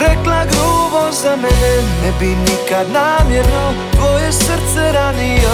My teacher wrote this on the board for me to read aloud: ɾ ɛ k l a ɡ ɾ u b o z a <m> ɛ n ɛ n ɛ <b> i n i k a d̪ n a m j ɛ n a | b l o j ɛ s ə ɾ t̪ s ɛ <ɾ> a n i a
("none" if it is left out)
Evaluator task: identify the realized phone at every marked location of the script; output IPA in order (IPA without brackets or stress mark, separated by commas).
m, b, ɾ